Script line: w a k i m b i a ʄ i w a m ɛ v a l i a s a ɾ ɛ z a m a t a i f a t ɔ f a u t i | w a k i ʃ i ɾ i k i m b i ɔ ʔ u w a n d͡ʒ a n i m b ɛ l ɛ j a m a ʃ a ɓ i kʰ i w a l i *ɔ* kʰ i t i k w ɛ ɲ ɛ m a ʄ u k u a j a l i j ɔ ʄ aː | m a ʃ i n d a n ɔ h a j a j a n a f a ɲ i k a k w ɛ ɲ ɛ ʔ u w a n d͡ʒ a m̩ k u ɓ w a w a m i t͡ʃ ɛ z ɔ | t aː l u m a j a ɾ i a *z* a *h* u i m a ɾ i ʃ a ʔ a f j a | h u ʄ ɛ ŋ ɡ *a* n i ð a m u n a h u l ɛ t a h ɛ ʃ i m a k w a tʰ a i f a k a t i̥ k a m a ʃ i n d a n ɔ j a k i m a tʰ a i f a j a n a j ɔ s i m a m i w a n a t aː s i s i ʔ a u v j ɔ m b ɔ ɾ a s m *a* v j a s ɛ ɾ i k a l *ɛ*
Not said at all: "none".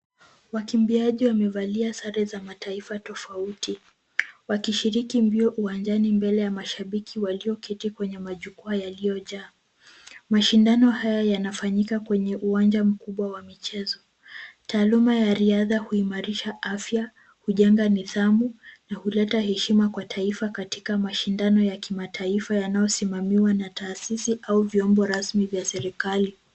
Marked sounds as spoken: ɔ, ð, h, a, i, i

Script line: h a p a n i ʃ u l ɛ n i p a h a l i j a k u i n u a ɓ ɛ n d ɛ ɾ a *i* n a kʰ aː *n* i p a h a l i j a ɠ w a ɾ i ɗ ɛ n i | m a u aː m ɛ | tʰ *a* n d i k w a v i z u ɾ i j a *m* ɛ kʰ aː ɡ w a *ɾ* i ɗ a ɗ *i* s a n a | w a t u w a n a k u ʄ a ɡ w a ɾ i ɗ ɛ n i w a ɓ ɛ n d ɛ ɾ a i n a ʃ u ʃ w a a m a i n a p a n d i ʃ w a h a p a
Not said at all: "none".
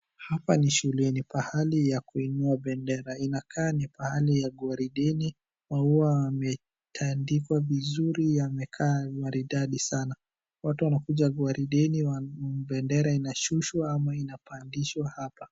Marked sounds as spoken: i, n, a, m, ɾ, i

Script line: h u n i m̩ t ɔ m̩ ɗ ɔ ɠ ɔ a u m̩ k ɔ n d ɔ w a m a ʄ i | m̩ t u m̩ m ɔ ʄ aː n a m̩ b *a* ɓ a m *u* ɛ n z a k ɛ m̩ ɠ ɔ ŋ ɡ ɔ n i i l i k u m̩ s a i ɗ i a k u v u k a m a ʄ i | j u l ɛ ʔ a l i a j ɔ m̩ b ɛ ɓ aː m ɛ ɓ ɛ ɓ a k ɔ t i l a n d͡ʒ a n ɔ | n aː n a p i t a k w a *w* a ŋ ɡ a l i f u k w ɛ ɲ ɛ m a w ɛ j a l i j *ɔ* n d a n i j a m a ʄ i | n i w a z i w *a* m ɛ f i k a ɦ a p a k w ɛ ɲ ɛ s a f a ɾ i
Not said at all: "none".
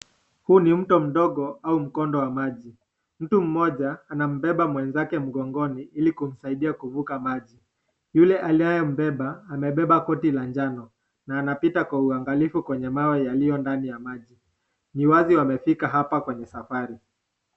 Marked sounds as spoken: ɛ, w, u, ɔ, a

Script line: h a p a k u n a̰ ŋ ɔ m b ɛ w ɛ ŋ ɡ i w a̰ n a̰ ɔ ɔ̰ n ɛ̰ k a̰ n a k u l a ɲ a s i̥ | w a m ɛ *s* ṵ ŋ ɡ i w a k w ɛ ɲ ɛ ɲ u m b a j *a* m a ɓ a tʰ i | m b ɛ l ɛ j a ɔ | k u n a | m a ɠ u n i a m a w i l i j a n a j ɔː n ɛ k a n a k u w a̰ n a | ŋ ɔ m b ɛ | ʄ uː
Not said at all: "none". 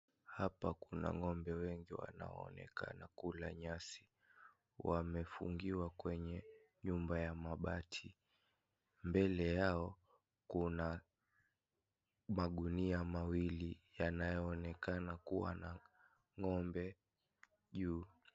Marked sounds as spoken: f, a

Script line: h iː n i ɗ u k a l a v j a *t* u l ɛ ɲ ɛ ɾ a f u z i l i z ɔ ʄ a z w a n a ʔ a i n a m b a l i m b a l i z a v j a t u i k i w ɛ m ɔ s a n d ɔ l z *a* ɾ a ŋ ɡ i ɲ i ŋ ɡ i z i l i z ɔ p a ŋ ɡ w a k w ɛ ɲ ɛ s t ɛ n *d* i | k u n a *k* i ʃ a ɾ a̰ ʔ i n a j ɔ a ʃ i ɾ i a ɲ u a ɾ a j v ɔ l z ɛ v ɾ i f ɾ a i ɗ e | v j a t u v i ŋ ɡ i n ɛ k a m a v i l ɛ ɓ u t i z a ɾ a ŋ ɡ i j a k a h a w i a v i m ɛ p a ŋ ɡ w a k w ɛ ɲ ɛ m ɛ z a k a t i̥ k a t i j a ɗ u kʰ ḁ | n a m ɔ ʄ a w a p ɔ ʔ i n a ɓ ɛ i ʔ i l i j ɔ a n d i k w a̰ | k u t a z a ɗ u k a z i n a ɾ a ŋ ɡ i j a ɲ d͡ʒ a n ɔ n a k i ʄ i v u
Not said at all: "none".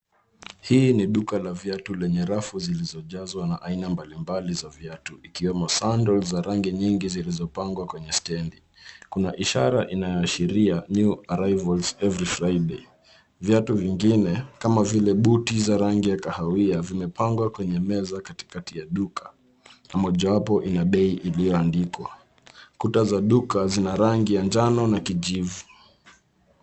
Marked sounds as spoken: t, a, d, ʔ

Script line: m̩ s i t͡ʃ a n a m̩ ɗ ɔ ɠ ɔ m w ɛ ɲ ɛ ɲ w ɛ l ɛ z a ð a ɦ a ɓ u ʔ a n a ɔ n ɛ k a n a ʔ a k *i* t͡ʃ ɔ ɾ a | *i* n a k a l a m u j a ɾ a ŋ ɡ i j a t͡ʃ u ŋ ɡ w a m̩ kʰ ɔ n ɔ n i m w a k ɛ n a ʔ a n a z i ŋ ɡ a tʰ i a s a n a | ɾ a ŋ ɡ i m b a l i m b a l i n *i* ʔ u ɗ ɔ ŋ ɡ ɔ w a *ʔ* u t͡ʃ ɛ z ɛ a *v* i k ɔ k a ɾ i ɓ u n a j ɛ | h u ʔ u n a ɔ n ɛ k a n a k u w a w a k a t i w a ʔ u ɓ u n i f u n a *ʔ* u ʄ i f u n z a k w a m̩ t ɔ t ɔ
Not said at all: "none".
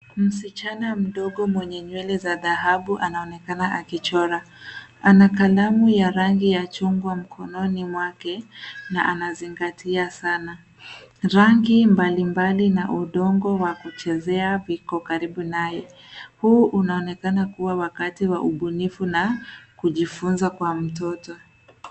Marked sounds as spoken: i, a, a, k, v, k

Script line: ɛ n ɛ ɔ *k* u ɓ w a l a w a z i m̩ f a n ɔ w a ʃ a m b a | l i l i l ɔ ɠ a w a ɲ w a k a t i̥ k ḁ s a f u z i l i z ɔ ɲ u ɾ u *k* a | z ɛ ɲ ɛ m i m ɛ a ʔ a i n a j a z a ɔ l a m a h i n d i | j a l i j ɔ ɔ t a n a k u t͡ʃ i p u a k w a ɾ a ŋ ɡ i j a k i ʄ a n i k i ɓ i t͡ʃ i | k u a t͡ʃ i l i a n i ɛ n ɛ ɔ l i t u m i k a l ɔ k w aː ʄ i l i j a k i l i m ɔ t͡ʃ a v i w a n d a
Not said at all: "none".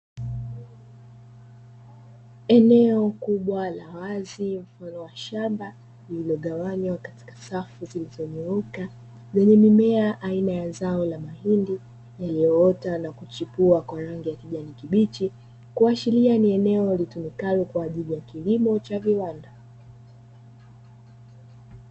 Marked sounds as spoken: k, k

